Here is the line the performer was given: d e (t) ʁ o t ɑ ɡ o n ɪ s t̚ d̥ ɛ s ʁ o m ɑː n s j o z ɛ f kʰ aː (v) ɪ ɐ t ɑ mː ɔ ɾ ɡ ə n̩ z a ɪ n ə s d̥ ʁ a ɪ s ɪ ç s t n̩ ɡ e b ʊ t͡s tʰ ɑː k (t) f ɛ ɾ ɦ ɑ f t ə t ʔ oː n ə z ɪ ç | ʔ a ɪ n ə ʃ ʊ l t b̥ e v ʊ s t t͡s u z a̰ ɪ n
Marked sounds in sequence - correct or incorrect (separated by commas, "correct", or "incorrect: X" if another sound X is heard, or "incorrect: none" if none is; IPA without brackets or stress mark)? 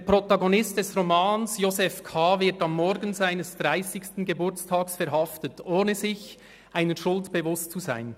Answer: incorrect: p, correct, incorrect: s